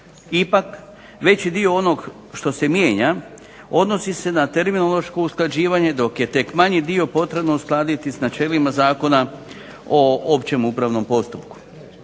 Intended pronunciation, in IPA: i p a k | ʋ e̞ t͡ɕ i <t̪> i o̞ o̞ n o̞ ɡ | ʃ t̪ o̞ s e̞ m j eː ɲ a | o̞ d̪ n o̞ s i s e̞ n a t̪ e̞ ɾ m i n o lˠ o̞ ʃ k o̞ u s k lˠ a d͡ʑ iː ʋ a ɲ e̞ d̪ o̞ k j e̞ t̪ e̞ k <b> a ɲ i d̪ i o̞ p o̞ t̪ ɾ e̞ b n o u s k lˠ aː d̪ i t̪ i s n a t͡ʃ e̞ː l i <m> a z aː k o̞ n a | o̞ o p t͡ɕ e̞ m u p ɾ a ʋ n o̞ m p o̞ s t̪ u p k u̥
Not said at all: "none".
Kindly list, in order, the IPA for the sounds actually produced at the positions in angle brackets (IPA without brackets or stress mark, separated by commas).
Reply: d̪, m, m